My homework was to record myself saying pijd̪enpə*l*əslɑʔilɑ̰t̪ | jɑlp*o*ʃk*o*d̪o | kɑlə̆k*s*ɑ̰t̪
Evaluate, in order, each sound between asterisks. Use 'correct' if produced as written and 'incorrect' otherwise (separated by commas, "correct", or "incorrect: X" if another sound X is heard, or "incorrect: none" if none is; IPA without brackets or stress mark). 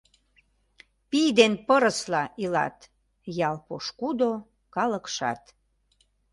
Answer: incorrect: ɾ, correct, incorrect: u, incorrect: ʃ